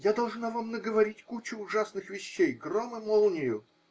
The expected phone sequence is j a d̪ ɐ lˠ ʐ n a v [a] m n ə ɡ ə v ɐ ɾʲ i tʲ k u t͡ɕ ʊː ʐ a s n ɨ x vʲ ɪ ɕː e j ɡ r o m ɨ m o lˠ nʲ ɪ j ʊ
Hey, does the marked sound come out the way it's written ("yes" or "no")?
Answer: yes